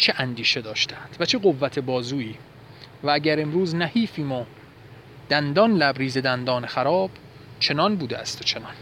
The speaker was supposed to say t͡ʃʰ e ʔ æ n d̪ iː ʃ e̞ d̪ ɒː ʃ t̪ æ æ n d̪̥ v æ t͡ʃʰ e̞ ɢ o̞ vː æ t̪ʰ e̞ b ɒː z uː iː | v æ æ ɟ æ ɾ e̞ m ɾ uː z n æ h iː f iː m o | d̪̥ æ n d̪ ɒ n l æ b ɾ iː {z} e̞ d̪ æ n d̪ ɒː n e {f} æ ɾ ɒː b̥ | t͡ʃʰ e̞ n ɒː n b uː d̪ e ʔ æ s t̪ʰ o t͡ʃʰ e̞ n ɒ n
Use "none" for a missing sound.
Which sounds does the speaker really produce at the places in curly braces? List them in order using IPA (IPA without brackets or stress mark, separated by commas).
z, x